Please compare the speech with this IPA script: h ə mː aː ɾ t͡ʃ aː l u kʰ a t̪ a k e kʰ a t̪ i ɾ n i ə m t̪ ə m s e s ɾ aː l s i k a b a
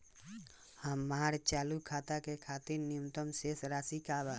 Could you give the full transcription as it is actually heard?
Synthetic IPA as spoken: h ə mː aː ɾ t͡ʃ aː l u kʰ a t̪ a k e kʰ a t̪ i ɾ n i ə m t̪ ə m s e s ɾ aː s i k a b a